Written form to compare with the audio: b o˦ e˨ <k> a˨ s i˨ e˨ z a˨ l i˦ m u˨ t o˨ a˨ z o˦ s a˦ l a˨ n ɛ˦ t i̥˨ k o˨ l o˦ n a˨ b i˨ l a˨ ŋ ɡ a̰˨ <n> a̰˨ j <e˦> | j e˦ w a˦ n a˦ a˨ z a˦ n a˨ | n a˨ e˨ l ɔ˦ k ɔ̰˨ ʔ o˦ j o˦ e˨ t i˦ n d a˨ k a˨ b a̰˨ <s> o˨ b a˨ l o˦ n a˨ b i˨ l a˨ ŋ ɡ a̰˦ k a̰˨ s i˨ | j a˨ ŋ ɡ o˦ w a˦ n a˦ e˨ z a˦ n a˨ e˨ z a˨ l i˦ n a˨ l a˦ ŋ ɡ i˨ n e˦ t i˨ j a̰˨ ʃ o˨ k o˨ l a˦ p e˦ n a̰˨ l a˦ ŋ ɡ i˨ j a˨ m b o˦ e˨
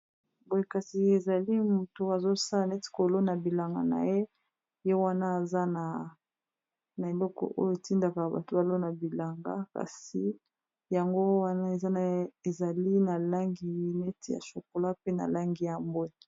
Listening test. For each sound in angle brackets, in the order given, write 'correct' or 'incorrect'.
correct, correct, correct, incorrect: t

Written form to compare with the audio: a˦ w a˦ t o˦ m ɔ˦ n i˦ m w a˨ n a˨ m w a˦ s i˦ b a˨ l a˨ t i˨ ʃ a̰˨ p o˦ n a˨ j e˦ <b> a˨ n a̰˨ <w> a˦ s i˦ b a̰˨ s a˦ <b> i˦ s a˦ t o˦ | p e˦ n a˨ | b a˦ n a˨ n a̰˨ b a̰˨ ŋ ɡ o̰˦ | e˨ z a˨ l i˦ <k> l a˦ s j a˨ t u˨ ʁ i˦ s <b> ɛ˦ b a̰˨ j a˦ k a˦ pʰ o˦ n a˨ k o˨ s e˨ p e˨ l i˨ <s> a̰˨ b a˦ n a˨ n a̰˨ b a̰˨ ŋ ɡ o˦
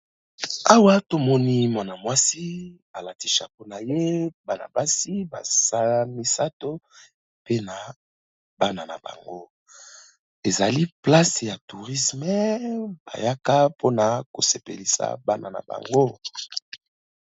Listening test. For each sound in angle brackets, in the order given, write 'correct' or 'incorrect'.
correct, incorrect: b, incorrect: m, incorrect: p, incorrect: m, correct

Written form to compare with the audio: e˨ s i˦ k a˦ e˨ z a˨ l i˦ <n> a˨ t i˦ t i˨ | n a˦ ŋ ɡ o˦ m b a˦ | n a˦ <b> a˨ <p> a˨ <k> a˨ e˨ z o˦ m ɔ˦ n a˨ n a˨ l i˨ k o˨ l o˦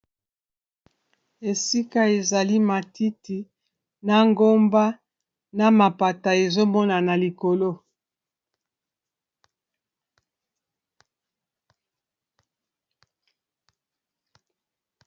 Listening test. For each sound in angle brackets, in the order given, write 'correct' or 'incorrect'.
incorrect: m, incorrect: m, correct, incorrect: t

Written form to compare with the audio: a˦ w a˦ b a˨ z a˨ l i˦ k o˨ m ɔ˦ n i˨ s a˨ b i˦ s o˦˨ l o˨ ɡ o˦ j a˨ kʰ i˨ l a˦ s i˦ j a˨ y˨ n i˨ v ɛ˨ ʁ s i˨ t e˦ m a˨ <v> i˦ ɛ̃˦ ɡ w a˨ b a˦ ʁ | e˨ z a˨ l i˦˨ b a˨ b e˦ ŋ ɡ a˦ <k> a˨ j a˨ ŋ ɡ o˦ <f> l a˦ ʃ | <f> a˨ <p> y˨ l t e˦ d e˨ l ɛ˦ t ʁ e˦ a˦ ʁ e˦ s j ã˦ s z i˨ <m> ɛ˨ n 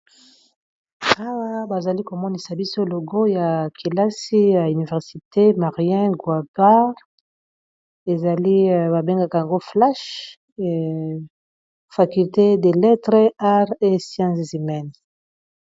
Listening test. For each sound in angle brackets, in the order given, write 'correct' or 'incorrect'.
incorrect: ʁ, correct, correct, correct, incorrect: k, correct

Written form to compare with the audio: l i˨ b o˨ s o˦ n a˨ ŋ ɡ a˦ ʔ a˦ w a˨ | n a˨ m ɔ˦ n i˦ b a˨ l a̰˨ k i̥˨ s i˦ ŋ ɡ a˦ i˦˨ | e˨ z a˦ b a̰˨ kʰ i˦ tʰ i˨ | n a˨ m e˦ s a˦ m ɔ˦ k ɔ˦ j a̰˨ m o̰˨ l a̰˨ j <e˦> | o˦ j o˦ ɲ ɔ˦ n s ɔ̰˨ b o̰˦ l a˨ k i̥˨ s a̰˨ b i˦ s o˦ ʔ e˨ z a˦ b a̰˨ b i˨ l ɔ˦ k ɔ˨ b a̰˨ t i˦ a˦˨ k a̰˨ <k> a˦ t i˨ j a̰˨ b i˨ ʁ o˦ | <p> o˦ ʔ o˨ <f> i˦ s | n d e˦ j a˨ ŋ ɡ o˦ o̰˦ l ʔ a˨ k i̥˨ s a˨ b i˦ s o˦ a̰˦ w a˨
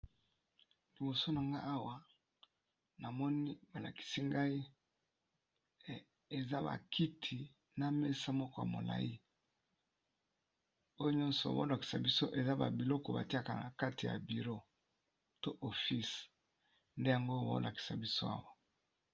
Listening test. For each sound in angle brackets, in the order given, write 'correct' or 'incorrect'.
incorrect: i˦, correct, incorrect: t, correct

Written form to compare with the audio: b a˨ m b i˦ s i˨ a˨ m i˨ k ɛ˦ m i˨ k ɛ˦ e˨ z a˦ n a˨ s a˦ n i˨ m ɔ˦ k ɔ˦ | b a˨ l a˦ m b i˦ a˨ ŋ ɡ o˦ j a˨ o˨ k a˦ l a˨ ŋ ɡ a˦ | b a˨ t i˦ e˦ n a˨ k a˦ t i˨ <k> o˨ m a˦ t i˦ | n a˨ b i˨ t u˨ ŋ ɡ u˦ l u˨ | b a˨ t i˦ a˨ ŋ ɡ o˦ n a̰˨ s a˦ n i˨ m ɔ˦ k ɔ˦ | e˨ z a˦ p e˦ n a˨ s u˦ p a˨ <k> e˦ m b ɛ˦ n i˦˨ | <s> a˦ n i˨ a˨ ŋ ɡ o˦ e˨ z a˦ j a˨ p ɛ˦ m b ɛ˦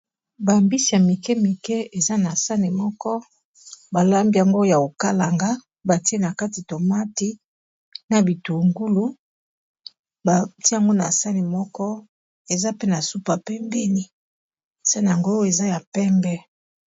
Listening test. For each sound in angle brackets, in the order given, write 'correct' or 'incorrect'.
incorrect: t, incorrect: p, correct

